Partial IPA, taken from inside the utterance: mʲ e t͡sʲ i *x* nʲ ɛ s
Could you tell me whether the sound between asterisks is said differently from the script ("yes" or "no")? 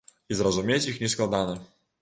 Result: no